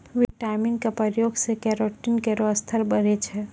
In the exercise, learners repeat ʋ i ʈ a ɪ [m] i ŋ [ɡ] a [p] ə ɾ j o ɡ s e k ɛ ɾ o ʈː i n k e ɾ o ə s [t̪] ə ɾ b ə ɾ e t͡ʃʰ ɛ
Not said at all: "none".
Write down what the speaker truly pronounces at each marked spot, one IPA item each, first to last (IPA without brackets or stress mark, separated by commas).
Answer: m, k, p, t̪ʰ